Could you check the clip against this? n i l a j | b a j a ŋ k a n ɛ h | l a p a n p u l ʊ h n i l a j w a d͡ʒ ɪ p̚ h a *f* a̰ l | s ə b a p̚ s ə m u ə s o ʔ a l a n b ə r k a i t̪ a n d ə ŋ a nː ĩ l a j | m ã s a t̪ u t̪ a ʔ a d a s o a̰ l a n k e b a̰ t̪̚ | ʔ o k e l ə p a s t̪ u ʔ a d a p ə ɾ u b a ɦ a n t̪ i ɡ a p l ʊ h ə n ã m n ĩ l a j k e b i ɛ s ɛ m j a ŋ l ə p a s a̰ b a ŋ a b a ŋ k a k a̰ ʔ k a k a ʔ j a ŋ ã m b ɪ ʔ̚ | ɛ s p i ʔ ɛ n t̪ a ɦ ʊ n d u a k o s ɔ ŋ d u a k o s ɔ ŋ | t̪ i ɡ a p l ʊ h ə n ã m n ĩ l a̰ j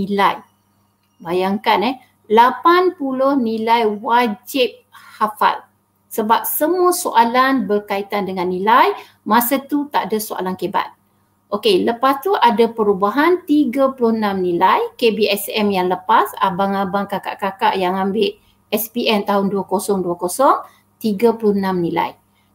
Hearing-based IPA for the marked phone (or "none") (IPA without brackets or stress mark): f